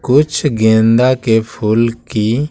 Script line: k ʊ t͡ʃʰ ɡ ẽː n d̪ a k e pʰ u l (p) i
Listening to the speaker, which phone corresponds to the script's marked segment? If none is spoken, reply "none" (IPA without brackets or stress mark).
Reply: k